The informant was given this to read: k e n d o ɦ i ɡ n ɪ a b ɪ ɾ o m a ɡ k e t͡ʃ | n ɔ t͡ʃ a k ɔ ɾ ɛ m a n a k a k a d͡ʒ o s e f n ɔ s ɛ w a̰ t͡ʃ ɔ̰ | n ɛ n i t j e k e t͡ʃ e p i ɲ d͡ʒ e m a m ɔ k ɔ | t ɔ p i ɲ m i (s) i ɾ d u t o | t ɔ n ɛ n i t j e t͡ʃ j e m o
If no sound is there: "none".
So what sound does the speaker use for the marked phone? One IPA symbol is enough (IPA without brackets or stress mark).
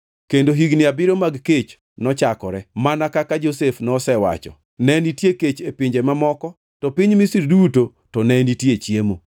s